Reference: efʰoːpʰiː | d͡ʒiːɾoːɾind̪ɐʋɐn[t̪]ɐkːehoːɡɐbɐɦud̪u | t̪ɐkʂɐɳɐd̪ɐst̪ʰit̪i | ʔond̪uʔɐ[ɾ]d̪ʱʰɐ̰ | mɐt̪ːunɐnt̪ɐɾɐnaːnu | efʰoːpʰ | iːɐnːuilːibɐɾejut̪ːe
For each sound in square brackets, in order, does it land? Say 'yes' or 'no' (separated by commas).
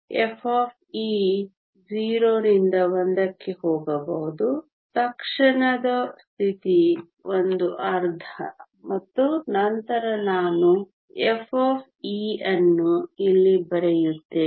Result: no, yes